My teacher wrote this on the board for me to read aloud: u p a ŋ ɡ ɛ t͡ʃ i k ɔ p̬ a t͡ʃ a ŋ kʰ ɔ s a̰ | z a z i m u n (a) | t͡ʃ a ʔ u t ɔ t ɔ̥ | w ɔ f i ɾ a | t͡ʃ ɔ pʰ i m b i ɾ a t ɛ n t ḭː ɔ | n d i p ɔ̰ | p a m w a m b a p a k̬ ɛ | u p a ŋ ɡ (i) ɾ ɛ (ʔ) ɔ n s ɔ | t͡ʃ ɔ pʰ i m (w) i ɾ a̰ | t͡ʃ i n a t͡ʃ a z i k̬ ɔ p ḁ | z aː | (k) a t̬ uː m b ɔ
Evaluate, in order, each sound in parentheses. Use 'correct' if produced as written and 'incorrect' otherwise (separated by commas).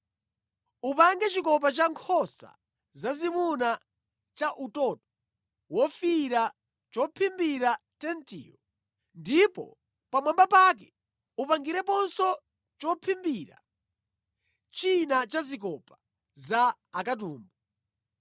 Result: correct, correct, incorrect, incorrect, correct